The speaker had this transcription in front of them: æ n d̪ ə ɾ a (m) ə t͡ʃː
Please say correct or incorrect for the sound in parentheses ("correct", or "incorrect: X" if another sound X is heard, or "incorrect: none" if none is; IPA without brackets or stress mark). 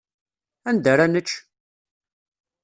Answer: incorrect: n